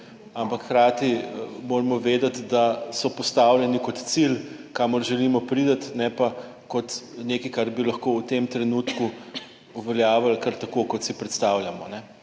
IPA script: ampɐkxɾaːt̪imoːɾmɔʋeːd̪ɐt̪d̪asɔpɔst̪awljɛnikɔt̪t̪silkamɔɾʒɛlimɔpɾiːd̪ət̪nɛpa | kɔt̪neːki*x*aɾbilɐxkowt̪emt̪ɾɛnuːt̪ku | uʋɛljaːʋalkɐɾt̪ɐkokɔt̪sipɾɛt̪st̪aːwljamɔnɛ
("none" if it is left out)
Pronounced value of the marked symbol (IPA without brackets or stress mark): k